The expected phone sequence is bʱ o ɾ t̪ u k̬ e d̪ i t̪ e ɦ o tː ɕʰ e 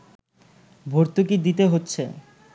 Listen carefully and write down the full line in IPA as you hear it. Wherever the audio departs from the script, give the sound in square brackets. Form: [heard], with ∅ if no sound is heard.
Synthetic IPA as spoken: bʱ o ɾ t̪ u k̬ [i] d̪ i t̪ e ɦ o tː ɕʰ e